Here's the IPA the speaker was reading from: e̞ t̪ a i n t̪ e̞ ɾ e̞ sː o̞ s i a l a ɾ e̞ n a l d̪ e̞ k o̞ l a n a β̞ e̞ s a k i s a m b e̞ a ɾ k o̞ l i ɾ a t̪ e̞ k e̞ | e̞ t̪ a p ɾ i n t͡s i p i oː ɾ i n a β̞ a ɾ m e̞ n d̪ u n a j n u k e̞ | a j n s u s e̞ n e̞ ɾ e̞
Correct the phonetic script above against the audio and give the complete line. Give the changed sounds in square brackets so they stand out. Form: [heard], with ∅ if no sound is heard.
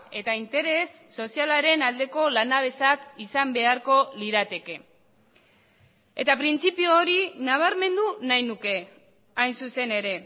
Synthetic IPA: e̞ t̪ a i n t̪ e̞ ɾ e̞ sː o̞ s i a l a ɾ e̞ n a l d̪ e̞ k o̞ l a n a β̞ e̞ s a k i s a m b e̞ a ɾ k o̞ l i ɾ a t̪ e̞ k e̞ | e̞ t̪ a p ɾ i n t͡s i p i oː ɾ i n a β̞ a ɾ m e̞ n d̪ u n a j n u k e̞ | a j n s u s e̞ n e̞ ɾ e̞